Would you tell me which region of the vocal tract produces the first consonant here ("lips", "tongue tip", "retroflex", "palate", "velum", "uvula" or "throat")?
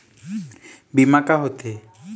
lips